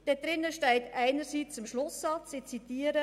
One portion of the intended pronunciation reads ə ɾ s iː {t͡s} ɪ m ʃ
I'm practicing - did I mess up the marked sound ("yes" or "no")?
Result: no